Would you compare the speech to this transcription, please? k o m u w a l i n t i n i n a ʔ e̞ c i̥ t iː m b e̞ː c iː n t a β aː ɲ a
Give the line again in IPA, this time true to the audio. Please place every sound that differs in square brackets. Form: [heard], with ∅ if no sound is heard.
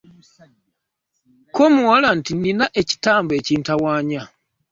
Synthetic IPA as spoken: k o m u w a l [a] n t i n i n a ʔ e̞ c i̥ t [aː] m b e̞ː c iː n t a [w] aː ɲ a